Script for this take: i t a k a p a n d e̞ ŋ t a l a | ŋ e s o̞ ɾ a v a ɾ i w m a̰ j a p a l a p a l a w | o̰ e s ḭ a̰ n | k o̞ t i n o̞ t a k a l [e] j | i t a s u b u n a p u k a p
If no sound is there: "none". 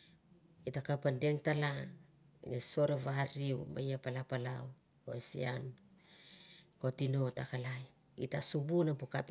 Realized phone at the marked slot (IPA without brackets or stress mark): a